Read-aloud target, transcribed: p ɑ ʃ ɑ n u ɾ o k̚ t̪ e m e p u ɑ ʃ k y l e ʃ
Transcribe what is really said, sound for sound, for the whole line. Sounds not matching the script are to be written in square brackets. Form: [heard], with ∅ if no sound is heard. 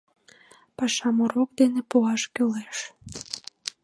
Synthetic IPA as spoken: p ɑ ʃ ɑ [m] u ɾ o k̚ [d̪] e [n] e p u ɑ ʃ k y l e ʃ